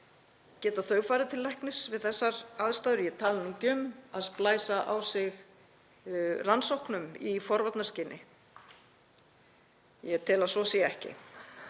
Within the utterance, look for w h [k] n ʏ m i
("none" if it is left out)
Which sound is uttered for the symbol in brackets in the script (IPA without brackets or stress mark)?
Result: k